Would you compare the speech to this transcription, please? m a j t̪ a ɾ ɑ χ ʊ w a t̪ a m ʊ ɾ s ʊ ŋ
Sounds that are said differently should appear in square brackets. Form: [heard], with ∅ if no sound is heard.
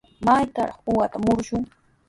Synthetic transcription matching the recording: m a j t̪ a ɾ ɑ χ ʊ w a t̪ a m ʊ ɾ [ʃ] ʊ ŋ